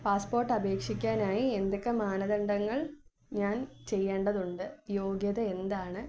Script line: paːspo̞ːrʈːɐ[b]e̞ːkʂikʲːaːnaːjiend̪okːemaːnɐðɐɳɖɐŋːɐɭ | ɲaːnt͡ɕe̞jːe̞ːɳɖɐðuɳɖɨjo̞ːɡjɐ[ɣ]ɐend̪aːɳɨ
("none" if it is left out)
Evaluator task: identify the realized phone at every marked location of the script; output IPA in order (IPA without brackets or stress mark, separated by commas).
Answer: b, ð